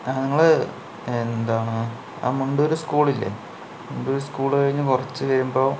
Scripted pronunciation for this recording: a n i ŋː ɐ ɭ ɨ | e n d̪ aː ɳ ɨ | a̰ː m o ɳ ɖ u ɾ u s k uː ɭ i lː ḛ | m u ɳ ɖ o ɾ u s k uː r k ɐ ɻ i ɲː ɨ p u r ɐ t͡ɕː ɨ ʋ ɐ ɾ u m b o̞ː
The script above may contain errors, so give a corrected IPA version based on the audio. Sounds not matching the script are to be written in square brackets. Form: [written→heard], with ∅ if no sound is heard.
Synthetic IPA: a n i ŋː ɐ ɭ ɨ | e n d̪ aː ɳ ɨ | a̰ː m [o→u] ɳ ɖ [u→o] ɾ u s k uː ɭ i lː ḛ | m u ɳ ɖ o ɾ u s k uː [r→ɭ] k ɐ ɻ i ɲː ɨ [p→k] u r ɐ t͡ɕː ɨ ʋ ɐ ɾ u m b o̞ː